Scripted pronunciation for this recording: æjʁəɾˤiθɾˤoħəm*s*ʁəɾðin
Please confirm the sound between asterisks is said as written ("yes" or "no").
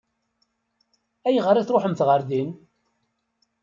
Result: no